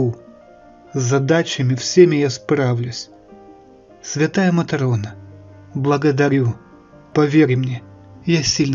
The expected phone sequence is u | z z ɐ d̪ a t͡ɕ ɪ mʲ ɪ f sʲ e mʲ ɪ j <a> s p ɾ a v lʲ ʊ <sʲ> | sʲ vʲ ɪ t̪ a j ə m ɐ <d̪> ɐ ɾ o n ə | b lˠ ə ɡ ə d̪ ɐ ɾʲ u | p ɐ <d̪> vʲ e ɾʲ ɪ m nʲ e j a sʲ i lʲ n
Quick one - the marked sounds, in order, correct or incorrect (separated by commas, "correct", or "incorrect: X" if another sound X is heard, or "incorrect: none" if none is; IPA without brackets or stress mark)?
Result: correct, correct, incorrect: t̪, incorrect: none